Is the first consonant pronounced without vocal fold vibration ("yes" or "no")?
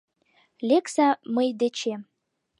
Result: no